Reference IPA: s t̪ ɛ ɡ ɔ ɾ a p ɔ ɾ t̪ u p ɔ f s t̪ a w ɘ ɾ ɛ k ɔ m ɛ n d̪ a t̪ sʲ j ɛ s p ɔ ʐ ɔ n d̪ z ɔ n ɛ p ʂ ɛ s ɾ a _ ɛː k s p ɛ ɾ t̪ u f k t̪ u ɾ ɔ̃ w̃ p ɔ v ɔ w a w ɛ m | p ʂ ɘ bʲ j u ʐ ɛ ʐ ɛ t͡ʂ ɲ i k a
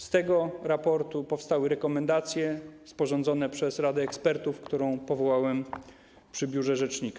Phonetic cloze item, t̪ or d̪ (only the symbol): d̪